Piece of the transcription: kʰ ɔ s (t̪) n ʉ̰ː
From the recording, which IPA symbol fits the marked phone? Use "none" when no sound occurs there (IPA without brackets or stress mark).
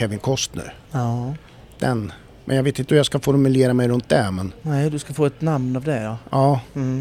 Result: t̪